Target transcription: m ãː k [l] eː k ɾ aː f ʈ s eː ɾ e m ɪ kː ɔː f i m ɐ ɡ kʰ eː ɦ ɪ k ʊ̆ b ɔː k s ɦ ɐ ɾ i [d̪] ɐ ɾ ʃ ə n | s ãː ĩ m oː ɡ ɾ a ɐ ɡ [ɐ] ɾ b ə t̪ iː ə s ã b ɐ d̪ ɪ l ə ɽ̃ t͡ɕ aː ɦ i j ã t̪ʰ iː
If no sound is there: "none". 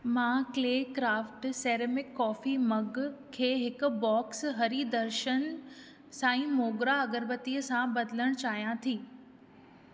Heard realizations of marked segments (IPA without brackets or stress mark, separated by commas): l, d̪, ə